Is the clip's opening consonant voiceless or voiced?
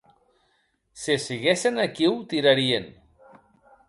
voiceless